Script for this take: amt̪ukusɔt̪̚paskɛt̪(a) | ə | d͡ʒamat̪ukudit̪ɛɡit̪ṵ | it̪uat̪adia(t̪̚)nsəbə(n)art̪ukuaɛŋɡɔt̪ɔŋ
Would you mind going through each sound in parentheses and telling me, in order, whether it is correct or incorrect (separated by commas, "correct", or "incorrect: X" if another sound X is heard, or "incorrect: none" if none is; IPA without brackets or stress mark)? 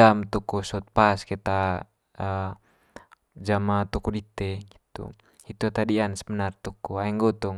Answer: correct, incorrect: none, correct